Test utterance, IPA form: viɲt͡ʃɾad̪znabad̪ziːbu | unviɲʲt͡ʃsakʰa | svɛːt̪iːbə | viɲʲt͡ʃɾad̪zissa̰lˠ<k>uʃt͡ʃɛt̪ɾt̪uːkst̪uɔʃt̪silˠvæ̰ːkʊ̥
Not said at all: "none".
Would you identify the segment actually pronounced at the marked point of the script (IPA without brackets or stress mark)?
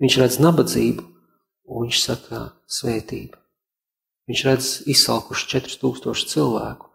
k